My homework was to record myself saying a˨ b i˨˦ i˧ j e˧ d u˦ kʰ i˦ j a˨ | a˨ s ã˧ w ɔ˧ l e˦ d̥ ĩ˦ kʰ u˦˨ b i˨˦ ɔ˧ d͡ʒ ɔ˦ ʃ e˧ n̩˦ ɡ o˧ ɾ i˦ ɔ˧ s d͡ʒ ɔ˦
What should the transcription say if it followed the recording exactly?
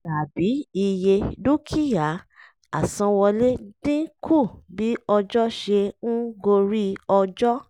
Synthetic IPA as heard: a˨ b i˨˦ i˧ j e˧ d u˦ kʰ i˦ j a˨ | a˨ s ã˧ w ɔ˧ l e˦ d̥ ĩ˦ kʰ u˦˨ b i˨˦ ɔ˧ d͡ʒ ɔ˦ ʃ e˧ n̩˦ ɡ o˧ ɾ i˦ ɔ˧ d͡ʒ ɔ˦